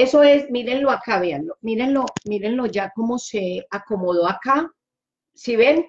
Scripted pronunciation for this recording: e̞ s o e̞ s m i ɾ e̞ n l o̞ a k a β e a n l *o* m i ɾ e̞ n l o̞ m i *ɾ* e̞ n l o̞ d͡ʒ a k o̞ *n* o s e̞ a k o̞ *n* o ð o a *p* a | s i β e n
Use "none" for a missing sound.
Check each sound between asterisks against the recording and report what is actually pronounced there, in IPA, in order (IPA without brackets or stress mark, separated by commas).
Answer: o, ɾ, m, m, k